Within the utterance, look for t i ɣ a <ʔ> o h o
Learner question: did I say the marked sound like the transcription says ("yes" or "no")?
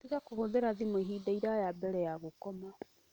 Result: no